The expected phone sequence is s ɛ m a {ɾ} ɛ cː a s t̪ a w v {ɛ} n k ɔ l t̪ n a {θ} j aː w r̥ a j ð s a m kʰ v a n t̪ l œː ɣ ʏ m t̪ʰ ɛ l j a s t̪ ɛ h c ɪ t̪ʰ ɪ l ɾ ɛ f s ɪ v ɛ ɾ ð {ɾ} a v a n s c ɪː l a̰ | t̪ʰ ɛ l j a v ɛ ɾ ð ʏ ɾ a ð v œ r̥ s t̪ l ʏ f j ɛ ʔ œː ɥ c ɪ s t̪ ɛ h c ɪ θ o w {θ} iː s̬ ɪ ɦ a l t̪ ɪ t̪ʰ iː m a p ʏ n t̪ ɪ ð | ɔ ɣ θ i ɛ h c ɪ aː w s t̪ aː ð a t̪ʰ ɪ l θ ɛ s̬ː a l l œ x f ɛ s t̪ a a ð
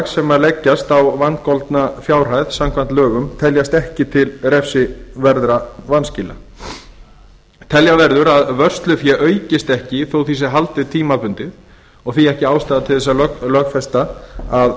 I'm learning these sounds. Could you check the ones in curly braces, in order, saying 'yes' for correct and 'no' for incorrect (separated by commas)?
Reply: no, no, no, yes, yes